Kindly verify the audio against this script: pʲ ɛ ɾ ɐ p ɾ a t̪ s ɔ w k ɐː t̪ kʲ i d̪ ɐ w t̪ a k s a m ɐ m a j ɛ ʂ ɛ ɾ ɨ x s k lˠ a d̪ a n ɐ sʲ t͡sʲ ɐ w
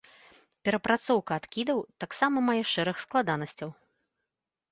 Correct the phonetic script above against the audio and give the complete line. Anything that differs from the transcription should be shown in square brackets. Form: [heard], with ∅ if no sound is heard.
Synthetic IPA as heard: pʲ ɛ ɾ ɐ p ɾ a t̪ s ɔ w k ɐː t̪ kʲ i d̪ ɐ w t̪ a k s a m ɐ m a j ɛ ʂ ɛ ɾ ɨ x s k lˠ a d̪ a n ɐ sʲ t͡sʲ ɐ w